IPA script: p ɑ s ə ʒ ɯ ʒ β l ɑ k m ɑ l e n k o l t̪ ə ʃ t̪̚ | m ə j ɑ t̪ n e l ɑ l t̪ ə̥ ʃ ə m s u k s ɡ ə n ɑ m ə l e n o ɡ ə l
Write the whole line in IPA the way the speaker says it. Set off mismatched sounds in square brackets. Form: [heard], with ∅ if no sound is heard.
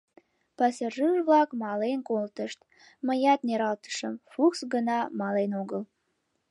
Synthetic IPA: p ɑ s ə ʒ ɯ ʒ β l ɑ k m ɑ l e n k o l t̪ ə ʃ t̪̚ | m ə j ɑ t̪ n e [ɾ] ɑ l t̪ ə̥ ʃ ə m [f] u k s ɡ ə n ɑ m [ɑ] l e n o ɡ ə l